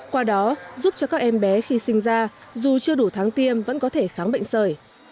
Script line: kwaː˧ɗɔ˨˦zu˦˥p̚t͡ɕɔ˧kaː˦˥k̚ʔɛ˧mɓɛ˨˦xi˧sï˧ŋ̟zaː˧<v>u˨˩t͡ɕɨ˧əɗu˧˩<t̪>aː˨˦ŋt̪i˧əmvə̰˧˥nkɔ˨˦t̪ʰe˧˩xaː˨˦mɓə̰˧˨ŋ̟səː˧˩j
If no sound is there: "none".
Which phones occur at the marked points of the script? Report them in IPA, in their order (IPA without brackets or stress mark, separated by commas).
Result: z, t̪ʰ